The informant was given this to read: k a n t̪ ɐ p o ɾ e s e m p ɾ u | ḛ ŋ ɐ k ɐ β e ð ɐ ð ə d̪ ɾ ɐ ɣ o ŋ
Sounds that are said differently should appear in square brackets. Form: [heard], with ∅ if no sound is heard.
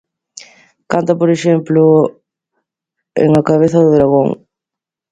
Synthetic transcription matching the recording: k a n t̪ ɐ p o ɾ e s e m p [l] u | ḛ ŋ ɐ k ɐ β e [θ] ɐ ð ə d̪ ɾ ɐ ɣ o ŋ